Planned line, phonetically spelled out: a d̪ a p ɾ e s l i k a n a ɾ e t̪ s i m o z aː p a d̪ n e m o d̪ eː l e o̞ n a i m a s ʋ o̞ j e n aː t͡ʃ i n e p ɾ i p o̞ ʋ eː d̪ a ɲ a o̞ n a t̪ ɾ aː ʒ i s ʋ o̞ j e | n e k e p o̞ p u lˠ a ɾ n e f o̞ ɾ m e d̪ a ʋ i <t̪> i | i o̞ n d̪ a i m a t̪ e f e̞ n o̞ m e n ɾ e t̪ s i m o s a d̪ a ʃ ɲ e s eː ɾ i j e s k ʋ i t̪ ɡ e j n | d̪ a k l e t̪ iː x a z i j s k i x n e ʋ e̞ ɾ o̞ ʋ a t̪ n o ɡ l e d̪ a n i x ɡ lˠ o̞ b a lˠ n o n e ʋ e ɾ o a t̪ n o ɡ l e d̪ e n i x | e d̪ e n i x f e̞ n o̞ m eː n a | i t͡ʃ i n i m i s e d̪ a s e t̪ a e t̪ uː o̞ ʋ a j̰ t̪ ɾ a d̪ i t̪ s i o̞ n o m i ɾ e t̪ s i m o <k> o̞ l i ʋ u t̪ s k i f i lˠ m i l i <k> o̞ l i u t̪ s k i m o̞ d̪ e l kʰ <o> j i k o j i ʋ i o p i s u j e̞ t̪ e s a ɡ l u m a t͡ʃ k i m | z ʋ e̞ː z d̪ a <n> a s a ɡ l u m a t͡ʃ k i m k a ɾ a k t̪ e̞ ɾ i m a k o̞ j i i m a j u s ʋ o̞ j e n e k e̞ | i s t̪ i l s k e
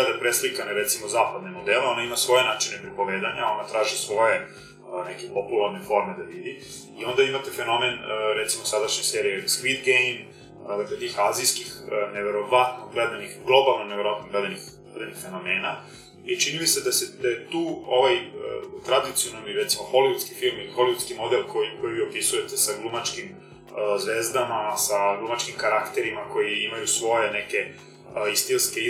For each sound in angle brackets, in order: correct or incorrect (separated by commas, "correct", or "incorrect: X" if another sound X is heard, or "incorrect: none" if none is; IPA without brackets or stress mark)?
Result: incorrect: d̪, incorrect: x, incorrect: x, correct, incorrect: m